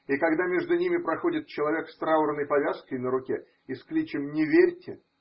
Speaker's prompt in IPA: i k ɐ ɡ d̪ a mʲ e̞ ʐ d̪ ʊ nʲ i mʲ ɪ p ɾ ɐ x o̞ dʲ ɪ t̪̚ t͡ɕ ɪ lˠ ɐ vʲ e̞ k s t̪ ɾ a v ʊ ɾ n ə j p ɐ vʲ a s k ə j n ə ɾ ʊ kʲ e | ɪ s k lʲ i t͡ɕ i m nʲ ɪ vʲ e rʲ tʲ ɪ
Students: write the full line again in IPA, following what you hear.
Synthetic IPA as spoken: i k ɐ ɡ d̪ a mʲ e̞ ʐ d̪ ʊ nʲ i mʲ ɪ p ɾ ɐ x o̞ dʲ ɪ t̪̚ t͡ɕ ɪ lˠ ɐ vʲ e̞ k s t̪ ɾ a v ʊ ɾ n ə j p ɐ vʲ a s k ə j n ə ɾ ʊ kʲ e | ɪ s k lʲ i t͡ɕ ɪ m nʲ ɪ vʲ e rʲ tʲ ɪ